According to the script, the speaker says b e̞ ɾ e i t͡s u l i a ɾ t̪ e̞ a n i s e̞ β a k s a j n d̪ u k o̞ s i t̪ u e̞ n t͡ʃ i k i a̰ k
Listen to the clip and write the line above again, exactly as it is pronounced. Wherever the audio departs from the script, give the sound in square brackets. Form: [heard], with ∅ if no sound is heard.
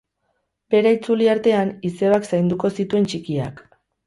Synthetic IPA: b e̞ ɾ [a] i t͡s u l i a ɾ t̪ e̞ a n i s e̞ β a k s a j n d̪ u k o̞ s i t̪ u e̞ n t͡ʃ i k i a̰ k